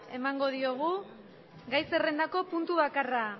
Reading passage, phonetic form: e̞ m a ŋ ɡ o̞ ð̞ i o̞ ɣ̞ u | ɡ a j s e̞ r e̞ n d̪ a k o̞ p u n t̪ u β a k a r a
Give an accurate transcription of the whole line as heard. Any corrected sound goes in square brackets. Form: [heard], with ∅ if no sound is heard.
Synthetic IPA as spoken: e̞ m a ŋ ɡ o̞ ð̞ i o̞ ɣ̞ u | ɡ a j s e̞ r e̞ n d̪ a k o̞ p u n t̪ u β a k a r a